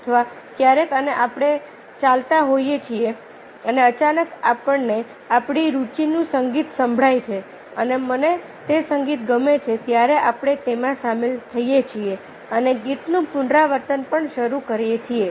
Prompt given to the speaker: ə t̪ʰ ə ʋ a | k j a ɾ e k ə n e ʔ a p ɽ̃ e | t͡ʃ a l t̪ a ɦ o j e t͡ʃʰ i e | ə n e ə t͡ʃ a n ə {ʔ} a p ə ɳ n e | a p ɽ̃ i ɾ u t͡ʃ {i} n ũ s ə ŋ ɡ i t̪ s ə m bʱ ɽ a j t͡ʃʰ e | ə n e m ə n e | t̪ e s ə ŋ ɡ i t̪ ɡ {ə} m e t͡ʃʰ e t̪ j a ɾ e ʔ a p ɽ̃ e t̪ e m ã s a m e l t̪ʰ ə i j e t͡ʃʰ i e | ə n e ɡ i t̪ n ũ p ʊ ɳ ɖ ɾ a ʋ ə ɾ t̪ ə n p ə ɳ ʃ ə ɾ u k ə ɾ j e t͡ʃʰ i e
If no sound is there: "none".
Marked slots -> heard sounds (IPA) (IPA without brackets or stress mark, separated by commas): k, i, ə